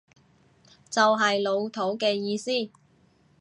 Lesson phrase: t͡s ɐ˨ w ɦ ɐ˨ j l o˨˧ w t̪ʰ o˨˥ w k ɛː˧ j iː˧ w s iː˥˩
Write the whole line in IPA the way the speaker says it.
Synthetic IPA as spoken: t͡s ɐ˨ w ɦ ɐ˨ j l o˨˧ w t̪ʰ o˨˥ w k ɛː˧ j iː˧ s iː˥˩

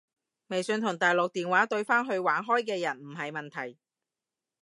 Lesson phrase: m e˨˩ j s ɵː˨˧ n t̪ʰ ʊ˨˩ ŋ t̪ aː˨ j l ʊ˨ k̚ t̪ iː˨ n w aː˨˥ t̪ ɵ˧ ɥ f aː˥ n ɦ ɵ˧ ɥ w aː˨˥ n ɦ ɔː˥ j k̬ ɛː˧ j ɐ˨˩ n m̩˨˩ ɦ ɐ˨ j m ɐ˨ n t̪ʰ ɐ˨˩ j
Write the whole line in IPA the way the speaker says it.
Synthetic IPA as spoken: m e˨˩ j s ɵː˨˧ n t̪ʰ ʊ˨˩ ŋ t̪ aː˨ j l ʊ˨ k̚ t̪ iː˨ n w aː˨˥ t̪ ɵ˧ ɥ f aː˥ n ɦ ɵ˧ ɥ w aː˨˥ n ɦ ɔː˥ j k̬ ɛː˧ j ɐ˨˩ n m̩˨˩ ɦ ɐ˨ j m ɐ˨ n t̪ʰ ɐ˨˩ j

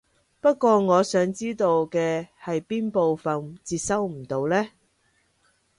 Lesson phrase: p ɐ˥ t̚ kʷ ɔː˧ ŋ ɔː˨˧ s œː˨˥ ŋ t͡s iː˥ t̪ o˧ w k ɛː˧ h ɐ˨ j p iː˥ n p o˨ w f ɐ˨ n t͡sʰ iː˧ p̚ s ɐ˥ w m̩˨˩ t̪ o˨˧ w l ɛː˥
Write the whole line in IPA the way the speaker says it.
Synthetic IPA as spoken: p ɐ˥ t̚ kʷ ɔː˧ ŋ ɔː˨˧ s œː˨˥ ŋ t͡s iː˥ t̪ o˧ w k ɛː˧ h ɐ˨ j p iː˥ n p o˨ w f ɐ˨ n t͡s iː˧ t̚ s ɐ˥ w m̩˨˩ t̪ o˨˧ w l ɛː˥

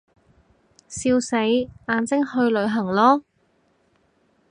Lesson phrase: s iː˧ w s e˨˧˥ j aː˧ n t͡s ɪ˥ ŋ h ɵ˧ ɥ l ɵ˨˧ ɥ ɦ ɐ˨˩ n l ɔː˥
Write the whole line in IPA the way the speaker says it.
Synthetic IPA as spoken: s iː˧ w s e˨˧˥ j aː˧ n t͡s ɪ˥ ŋ h ɵ˧ ɥ l ɵ˨˧ ɥ ɦ ɐ˨˩ ŋ l ɔː˥

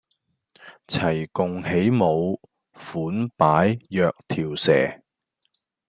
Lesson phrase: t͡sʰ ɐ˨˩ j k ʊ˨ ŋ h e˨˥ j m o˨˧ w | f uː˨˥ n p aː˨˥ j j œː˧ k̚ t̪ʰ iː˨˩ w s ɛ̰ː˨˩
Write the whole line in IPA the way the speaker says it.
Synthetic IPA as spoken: t͡sʰ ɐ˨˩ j k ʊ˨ ŋ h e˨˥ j m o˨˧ w | f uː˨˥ n p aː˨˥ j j œː˧ k̚ t̪ʰ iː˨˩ w s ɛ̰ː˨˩

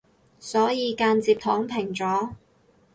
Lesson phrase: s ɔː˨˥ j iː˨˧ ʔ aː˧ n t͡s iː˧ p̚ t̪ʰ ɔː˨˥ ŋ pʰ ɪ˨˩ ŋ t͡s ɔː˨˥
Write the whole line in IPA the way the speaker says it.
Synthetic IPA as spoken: s ɔː˨˥ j iː˨˧ k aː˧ n t͡s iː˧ p̚ t̪ʰ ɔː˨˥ ŋ pʰ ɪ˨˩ ŋ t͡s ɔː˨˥

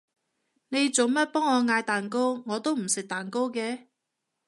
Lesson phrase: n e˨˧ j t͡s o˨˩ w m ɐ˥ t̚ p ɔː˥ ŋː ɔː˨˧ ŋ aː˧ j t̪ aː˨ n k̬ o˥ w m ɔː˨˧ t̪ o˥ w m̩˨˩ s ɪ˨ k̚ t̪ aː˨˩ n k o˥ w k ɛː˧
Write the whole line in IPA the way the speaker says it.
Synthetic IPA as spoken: n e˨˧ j t͡s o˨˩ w m ɐ˥ t̚ p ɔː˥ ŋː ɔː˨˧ ŋ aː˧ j t̪ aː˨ n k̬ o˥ w ŋ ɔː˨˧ t̪ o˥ w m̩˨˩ s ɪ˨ k̚ t̪ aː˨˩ n k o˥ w k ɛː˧

